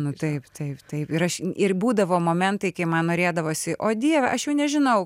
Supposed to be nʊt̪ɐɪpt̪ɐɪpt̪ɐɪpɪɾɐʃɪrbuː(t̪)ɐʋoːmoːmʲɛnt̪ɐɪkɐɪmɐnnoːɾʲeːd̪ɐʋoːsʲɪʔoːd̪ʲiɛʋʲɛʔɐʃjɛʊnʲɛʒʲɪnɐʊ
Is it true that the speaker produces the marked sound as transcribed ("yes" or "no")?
no